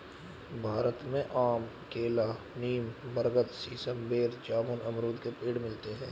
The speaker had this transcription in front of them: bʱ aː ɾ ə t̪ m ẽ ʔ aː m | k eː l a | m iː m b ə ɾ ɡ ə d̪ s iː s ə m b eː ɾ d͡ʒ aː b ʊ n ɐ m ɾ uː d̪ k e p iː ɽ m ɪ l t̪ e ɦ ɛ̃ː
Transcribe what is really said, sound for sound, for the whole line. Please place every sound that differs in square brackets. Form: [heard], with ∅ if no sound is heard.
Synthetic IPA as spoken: bʱ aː ɾ ə t̪ m ẽ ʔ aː m | k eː l a | [n] iː m b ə ɾ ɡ ə [t̪] s iː s ə m b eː ɾ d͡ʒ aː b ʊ n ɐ m ɾ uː d̪ k e p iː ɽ m ɪ l t̪ e ɦ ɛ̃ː